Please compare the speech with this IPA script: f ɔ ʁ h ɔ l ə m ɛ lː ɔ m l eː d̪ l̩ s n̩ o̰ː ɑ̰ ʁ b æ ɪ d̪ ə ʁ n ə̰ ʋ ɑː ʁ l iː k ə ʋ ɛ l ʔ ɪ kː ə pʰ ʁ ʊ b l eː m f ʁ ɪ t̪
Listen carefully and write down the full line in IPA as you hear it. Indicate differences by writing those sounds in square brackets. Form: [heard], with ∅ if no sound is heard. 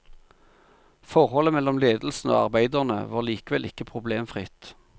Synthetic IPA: f ɔ ʁ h ɔ l ə m ɛ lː ɔ m l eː d̪ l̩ s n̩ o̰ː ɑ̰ ʁ b æ ɪ d̪ ə ʁ n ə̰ ʋ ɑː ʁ l iː k ə ʋ ɛ l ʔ ɪ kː ə pʰ ʁ ʊ b l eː m f ʁ ɪ t̪